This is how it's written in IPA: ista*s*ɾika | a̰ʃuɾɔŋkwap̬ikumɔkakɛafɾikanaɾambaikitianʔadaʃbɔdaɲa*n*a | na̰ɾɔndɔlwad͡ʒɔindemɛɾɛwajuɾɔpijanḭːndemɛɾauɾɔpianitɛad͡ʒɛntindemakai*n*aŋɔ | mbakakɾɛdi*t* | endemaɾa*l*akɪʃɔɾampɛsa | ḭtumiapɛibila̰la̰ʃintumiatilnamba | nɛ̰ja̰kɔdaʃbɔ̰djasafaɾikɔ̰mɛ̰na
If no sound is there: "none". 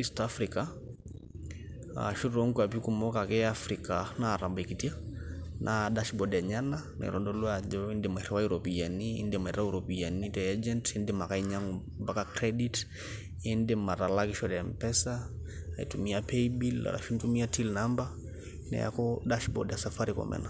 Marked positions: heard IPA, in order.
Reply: f, n, ɲ, t, l

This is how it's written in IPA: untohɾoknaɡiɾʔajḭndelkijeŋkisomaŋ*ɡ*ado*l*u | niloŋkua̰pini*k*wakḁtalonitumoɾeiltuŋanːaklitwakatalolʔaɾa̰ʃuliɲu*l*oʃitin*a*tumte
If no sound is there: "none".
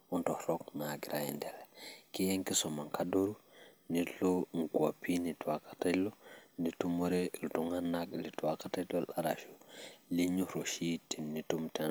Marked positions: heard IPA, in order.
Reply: k, ɾ, t, ɾ, i

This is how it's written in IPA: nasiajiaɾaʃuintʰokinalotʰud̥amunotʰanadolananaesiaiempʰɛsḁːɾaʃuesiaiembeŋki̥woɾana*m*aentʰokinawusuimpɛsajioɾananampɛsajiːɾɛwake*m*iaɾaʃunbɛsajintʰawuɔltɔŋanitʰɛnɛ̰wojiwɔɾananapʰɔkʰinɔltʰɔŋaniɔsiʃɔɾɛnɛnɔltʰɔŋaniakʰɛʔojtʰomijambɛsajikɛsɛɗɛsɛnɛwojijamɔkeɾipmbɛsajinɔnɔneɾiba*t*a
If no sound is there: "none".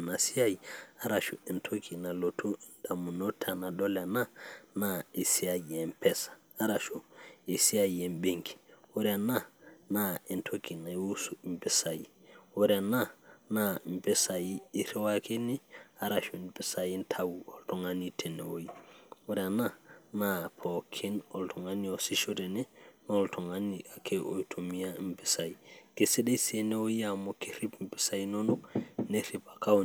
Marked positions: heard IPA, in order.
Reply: n, n, k

